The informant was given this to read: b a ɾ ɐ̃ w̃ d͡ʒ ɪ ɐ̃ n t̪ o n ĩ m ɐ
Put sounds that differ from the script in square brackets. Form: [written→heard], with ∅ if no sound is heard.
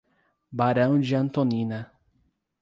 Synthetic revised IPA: b a ɾ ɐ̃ w̃ d͡ʒ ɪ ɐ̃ n t̪ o n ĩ [m→n] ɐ